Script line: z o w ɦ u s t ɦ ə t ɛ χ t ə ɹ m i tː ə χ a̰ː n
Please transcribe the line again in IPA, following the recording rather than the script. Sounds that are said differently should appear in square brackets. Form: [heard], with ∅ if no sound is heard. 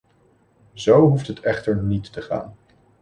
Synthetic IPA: z o w ɦ u [f] t ɦ ə t ɛ χ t ə ɹ [n] i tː ə χ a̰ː n

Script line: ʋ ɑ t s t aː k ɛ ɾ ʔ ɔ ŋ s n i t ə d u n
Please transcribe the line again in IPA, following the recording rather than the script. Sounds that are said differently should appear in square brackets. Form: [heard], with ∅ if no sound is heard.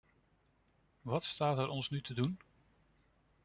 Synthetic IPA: ʋ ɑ t s t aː [t] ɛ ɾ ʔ ɔ [n] s n [y] t ə d u n

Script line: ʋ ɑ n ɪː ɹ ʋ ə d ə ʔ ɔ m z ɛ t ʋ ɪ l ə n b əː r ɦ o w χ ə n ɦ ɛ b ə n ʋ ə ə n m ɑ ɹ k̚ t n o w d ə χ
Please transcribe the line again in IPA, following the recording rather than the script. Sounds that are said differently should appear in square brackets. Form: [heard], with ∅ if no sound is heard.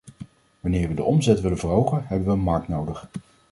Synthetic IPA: ʋ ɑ n ɪː ɹ ʋ ə d ə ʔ ɔ m z ɛ t ʋ ɪ l ə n [v] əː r ɦ o w χ ə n ɦ ɛ b ə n ʋ ə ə n m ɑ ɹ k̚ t n o w d ə χ

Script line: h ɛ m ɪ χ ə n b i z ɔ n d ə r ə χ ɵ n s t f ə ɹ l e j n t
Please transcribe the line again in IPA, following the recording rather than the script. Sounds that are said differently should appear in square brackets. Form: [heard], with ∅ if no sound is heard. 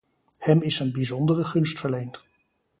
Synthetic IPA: h ɛ m ɪ [s] ə n b i z ɔ n d ə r ə χ ɵ n s t f ə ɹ l e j n t

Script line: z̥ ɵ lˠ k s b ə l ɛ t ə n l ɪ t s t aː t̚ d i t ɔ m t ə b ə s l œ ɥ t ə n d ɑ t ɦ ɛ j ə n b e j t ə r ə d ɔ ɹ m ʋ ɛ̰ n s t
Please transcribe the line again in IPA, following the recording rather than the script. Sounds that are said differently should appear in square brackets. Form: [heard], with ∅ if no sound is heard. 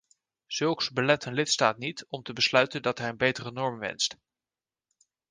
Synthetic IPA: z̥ ɵ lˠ k s b ə l ɛ t ə n l ɪ t s t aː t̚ [n] i t ɔ m t ə b ə s l œ ɥ t ə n d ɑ t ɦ ɛ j ə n b e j t ə r ə [n] ɔ ɹ m ʋ ɛ̰ n s t

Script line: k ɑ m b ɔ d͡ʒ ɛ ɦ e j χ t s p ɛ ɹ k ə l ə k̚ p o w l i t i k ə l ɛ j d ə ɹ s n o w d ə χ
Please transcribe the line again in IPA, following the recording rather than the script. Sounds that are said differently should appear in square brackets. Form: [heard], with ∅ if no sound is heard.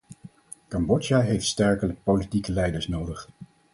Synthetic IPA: k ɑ m b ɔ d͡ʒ [a] ɦ e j [f] t s [t] ɛ ɹ k ə l ə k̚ p o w l i t i k ə l ɛ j d ə ɹ s n o w d ə χ

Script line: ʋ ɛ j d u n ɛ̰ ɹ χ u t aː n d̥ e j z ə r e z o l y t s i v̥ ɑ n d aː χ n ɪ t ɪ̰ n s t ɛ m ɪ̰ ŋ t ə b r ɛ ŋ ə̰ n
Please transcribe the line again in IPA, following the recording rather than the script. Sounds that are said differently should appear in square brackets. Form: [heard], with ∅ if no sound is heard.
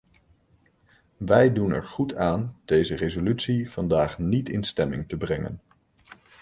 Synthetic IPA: ʋ ɛ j d u n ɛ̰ ɹ χ u t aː n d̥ e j z ə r e z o l y t s i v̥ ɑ n d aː χ n [i] t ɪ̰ n s t ɛ m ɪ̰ ŋ t ə b r ɛ ŋ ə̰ n

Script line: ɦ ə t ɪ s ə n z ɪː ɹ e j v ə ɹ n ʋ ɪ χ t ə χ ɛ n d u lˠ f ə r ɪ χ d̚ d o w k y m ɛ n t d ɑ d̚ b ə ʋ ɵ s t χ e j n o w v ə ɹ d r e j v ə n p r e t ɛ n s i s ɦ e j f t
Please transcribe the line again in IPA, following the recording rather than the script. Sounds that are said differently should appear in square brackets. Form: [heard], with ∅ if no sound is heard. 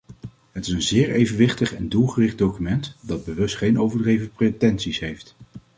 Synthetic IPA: ɦ ə t ɪ s ə n z ɪː ɹ e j v ə [∅] n ʋ ɪ χ t ə χ ɛ n d u lˠ [χ] ə r ɪ χ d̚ d o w k y m ɛ n t d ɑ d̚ b ə ʋ ɵ s t χ e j n o w v ə ɹ d r e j v ə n p r e t ɛ n s i s ɦ e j f t

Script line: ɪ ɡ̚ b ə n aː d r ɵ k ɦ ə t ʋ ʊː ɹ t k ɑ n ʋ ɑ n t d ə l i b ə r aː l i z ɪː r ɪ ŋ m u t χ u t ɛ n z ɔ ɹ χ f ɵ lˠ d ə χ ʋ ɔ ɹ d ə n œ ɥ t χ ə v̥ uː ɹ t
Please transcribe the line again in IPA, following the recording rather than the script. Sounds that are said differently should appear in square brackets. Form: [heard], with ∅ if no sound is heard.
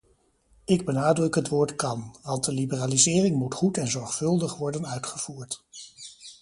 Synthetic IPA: ɪ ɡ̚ b ə n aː d r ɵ k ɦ ə t ʋ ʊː ɹ t k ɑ n ʋ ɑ n t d ə l i b ə r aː l i z ɪː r ɪ ŋ m u t χ u t ɛ n z ɔ ɹ χ f ɵ lˠ d ə χ ʋ ɔ ɹ d ə n œ ɥ t χ ə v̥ uː ɹ t

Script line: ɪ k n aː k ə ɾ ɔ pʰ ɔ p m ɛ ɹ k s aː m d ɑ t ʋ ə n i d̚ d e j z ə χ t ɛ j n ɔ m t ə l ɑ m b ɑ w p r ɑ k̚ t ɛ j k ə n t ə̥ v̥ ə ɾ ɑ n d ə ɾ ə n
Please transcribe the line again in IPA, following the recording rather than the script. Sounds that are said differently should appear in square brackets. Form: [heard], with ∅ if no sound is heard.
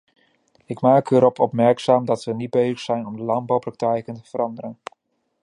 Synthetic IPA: ɪ k [m] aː k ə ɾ ɔ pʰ ɔ p m ɛ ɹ k s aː m d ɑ t ʋ ə n i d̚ [b] e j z ə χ [s] ɛ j n ɔ m [d] ə l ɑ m b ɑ w p r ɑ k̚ t ɛ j k ə n t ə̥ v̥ ə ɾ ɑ n d ə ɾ ə n

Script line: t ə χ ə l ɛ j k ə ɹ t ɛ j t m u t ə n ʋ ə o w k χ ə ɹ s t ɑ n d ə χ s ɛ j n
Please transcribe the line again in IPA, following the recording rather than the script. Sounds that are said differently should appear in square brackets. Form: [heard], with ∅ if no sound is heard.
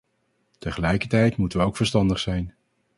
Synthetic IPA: t ə χ ə l ɛ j k ə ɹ t ɛ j t m u t ə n ʋ ə o w k [f] ə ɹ s t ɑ n d ə χ s ɛ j n

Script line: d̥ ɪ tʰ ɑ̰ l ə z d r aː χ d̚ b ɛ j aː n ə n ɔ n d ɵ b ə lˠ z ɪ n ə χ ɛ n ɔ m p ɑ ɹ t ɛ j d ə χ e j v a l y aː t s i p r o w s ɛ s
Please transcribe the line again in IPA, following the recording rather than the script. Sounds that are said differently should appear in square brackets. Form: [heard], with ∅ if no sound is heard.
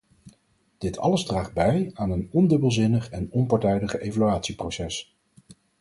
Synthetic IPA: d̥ ɪ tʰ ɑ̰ l ə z d r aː χ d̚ b ɛ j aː n ə n ɔ n d ɵ b ə lˠ z ɪ n ə χ ɛ n ɔ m p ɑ ɹ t ɛ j d ə χ e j v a l y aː t s i p r o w s ɛ s

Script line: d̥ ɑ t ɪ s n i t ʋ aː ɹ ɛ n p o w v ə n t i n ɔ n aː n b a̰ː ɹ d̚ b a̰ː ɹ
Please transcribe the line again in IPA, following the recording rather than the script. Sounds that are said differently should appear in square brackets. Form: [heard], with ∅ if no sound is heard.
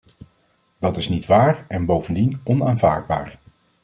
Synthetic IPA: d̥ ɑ t ɪ s n i t ʋ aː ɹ ɛ n [b] o w v ə n [d] i n ɔ n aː n [v] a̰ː ɹ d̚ b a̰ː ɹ

